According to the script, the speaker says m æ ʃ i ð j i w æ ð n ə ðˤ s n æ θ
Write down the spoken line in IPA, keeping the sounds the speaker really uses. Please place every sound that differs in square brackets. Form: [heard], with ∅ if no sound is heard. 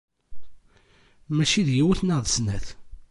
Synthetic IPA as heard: m æ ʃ i ð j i w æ [θ] n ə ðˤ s n æ θ